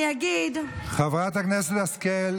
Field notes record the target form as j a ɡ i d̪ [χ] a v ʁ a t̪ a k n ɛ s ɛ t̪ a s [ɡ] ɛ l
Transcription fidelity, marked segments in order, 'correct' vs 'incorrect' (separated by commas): correct, incorrect